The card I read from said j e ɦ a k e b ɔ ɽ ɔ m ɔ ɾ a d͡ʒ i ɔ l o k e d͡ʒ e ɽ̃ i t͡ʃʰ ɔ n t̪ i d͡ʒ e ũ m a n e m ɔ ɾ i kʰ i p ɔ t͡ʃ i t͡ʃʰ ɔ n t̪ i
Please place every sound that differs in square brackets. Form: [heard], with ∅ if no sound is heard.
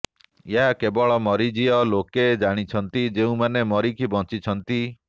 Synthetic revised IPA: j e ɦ a k e b ɔ [ɭ] ɔ m ɔ ɾ [i] d͡ʒ i ɔ l o k e d͡ʒ [a] ɽ̃ i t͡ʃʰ ɔ n t̪ i d͡ʒ e ũ m a n e m ɔ ɾ i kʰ i [b] ɔ t͡ʃ i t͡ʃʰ ɔ n t̪ i